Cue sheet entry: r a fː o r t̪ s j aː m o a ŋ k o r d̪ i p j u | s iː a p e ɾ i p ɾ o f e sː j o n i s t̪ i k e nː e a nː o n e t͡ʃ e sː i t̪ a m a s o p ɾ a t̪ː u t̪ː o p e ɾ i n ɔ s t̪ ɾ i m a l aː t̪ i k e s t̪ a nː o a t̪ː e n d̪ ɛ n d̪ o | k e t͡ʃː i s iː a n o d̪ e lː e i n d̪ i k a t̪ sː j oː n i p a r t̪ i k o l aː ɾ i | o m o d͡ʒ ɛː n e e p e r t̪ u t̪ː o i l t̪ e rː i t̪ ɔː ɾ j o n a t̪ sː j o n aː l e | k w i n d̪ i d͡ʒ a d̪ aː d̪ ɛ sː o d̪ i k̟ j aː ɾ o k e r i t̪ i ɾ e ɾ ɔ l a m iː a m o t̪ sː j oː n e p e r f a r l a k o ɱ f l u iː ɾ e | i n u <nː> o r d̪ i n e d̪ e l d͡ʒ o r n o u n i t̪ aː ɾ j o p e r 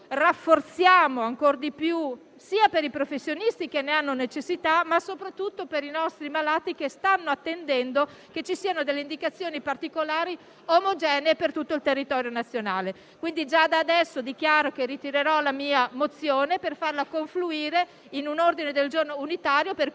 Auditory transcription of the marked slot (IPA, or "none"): n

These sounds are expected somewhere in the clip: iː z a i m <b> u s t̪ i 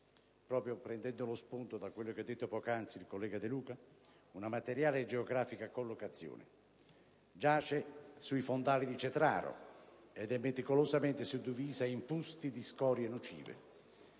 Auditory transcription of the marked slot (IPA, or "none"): p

